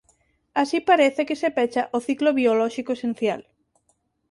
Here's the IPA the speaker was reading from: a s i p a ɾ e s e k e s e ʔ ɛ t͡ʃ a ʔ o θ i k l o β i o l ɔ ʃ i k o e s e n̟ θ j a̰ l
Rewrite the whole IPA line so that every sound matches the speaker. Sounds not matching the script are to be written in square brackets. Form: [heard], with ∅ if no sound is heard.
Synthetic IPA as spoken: a s i p a ɾ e [θ] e k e s e [p] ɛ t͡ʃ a ʔ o θ i k l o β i o l ɔ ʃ i k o e s e n̟ θ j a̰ l